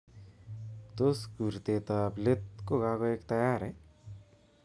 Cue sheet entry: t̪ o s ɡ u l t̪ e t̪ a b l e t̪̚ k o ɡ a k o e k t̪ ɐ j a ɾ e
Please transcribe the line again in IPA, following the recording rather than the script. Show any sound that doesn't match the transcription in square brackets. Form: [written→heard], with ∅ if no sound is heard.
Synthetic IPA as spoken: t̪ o s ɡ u [l→ɾ] t̪ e t̪ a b l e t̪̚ k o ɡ a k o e k t̪ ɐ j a ɾ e